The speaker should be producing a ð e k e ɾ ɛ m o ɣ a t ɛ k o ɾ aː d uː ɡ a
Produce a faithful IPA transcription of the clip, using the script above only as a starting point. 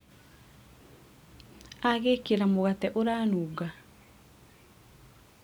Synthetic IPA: a ɣ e k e ɾ a m o ɣ a t ɛ ʔ o ɾ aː n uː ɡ a